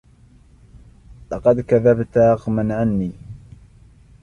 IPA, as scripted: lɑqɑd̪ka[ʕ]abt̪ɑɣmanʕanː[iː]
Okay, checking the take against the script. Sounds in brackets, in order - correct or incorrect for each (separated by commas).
incorrect, correct